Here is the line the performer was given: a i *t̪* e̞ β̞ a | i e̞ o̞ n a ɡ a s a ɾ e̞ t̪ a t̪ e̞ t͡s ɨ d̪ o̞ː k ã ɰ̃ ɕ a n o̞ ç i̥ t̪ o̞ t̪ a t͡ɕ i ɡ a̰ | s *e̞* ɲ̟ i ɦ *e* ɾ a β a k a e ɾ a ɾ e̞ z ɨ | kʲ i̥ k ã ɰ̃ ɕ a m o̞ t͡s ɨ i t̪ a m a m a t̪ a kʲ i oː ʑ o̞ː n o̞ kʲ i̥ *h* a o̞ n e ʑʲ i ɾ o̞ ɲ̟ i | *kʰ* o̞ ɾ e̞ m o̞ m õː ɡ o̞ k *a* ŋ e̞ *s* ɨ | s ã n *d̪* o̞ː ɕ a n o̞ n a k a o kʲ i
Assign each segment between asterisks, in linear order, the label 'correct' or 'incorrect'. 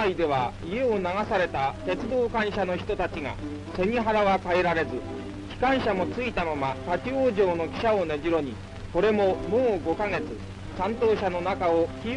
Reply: incorrect, correct, incorrect, incorrect, incorrect, correct, incorrect, incorrect

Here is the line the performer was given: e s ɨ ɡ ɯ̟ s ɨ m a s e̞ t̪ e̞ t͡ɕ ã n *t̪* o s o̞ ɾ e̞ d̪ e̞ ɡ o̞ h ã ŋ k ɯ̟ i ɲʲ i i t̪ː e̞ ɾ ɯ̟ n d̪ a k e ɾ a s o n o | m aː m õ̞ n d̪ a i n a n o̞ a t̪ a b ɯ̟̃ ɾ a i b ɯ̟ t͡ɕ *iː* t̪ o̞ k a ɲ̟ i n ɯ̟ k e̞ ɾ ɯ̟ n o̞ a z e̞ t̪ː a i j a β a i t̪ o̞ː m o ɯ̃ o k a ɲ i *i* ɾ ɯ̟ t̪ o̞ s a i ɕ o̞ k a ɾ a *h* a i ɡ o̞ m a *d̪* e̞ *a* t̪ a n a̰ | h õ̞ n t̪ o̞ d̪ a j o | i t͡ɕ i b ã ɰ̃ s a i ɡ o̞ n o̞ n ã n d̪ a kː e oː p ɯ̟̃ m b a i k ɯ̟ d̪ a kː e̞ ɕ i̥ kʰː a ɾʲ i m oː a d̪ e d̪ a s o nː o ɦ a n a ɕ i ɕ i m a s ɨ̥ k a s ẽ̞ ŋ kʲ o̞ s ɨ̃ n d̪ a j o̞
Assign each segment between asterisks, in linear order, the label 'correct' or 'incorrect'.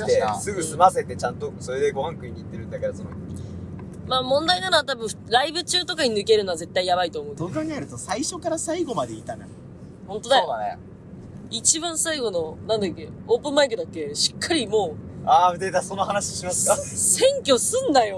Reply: correct, incorrect, incorrect, incorrect, correct, incorrect

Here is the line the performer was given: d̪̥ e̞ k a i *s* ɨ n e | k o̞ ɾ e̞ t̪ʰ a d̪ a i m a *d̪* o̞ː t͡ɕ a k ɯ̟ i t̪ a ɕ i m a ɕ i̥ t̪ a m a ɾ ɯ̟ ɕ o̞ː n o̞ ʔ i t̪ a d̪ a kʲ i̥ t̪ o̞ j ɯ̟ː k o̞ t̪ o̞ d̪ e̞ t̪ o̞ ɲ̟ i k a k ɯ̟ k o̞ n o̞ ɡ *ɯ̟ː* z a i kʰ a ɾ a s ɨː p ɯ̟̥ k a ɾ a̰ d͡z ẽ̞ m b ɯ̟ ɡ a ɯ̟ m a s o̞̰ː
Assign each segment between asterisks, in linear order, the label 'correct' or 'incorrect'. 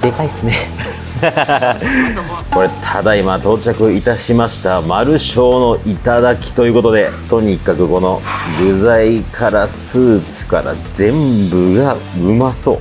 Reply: correct, incorrect, incorrect

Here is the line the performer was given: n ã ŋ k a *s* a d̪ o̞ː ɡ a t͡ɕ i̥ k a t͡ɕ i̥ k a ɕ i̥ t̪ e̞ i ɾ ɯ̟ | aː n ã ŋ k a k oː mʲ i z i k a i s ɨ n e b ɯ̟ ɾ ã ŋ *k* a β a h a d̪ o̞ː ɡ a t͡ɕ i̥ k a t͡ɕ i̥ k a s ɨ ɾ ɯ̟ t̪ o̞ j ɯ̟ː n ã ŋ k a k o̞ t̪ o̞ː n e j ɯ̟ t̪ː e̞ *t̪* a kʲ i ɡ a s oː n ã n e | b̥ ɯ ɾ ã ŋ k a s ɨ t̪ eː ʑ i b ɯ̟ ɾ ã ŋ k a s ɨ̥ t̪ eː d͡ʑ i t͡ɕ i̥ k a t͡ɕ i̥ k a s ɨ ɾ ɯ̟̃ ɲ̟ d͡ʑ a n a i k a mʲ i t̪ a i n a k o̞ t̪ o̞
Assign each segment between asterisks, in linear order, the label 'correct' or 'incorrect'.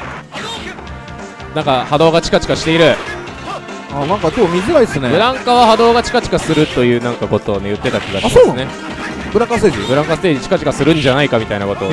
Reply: incorrect, correct, correct

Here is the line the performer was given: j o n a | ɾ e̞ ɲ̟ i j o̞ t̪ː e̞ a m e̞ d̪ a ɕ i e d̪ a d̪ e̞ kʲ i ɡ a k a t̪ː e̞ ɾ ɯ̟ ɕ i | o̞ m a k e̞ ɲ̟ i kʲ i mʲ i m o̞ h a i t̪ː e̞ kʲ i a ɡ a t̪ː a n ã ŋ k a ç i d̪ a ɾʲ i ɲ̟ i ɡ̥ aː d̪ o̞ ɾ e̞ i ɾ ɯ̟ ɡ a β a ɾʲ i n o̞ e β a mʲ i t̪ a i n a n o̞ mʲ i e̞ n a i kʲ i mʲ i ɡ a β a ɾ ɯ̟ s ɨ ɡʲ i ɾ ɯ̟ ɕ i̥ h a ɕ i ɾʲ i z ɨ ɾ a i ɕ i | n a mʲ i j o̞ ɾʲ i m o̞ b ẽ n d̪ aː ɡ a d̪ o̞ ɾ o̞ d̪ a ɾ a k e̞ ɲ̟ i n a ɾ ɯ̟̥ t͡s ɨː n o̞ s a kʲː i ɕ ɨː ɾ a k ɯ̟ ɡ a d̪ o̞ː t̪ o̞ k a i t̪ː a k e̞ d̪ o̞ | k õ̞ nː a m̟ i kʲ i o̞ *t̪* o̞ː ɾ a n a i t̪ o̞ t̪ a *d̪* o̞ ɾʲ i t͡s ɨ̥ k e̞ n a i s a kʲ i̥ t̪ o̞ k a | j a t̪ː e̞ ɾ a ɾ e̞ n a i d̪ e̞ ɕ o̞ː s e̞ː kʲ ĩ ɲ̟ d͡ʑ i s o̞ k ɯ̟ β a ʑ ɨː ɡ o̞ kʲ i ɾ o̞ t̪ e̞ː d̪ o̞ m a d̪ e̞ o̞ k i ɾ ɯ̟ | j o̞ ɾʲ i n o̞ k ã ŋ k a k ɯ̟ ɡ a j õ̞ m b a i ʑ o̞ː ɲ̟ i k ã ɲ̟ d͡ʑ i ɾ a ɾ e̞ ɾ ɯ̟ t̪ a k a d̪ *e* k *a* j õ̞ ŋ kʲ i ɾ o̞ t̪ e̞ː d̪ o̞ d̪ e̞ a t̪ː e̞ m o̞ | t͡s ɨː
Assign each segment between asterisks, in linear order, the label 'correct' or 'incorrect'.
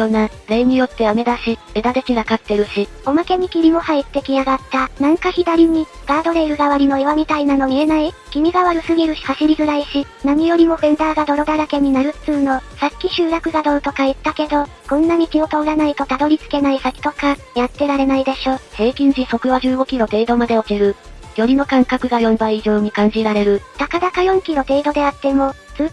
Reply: correct, correct, incorrect, correct

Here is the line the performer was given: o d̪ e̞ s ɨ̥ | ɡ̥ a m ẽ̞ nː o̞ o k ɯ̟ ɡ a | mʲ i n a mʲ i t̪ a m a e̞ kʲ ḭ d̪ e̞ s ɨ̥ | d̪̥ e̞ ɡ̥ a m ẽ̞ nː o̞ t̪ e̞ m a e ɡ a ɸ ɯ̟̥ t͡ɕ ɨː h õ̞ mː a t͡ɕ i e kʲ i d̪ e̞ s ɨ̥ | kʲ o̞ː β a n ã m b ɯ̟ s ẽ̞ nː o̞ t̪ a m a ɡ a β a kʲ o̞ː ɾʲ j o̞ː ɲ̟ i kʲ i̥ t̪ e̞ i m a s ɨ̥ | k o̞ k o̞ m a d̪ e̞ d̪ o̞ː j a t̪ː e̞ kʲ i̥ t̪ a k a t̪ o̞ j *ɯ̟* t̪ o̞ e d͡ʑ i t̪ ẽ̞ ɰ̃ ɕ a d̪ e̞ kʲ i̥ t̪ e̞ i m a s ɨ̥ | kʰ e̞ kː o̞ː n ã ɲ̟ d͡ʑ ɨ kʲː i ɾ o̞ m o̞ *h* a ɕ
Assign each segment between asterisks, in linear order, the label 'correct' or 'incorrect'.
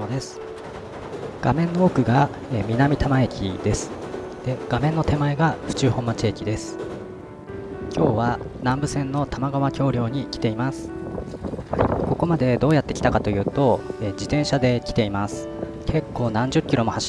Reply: incorrect, correct

